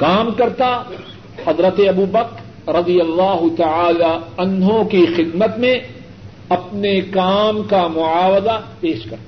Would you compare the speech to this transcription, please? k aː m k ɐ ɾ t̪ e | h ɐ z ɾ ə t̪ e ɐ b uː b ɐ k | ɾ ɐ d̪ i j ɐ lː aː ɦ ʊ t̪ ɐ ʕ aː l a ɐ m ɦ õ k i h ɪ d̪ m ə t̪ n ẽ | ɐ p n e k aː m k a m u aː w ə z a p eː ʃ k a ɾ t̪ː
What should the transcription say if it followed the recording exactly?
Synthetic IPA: k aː m k ɐ ɾ t̪ a | h ɐ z ɾ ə t̪ e ɐ b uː b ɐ k | ɾ ɐ d̪ i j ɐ lː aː ɦ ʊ t̪ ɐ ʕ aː l a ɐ n ɦ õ k i x ɪ d̪ m ə t̪ m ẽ | ɐ p n e k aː m k a m ʊ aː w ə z a p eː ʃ k ɐ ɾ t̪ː